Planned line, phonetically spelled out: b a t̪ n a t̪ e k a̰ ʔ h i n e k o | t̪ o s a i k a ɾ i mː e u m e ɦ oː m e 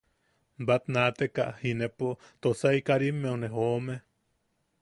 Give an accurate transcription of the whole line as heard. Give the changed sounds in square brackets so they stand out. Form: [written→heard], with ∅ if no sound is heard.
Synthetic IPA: b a t̪ n a t̪ e k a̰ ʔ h i n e [k→p] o | t̪ o s a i k a ɾ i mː e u [m→n] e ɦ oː m e